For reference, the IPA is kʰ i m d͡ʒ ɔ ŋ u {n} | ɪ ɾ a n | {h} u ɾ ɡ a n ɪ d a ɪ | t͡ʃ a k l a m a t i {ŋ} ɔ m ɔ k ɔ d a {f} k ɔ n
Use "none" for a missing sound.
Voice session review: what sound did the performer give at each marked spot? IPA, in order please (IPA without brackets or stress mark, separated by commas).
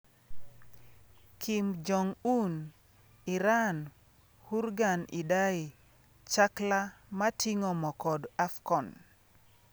n, h, ŋ, f